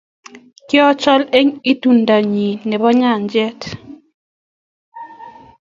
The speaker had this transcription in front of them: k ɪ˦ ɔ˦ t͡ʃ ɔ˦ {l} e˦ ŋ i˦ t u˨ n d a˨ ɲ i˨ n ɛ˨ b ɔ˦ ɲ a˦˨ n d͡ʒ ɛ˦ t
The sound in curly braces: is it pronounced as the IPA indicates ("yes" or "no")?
yes